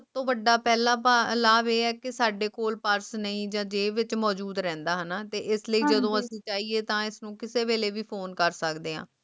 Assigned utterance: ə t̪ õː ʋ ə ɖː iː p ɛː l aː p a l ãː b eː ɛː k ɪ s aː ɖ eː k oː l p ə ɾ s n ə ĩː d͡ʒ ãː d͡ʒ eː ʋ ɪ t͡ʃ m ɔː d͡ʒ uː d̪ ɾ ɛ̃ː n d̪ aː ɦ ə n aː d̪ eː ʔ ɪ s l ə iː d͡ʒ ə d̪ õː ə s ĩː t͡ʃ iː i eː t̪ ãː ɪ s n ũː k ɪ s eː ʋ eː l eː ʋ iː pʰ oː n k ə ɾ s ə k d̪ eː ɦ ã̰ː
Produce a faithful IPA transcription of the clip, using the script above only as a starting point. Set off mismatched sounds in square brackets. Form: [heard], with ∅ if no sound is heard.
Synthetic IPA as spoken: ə t̪ õː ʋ ə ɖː [aː] p ɛː l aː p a l [aː] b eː ɛː k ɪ s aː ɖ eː k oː l p ə ɾ s n ə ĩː d͡ʒ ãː d͡ʒ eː ʋ ɪ t͡ʃ m ɔː d͡ʒ uː d̪ ɾ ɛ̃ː n d̪ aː ɦ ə n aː [t̪] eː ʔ ɪ s l ə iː d͡ʒ ə d̪ õː ə s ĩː t͡ʃ [aː] i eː t̪ ãː ɪ s n ũː k ɪ s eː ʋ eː l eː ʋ iː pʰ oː n k ə ɾ s ə k d̪ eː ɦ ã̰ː